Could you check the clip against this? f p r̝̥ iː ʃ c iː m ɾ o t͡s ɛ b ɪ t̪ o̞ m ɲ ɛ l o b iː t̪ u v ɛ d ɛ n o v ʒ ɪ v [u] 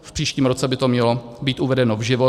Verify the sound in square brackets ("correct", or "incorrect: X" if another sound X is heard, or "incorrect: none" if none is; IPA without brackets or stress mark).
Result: incorrect: o